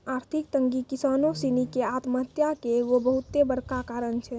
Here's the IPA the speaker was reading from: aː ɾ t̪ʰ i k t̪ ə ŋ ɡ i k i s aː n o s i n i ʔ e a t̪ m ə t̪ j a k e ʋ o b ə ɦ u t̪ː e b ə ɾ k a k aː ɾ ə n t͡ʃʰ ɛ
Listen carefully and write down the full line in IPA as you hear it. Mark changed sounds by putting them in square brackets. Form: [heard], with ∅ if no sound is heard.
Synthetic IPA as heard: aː ɾ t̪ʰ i k t̪ ə ŋ ɡ i k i s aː n o s i n i [k] e a t̪ m ə t̪ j a k e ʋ o b ə ɦ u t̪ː e b ə ɾ k a k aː ɾ ə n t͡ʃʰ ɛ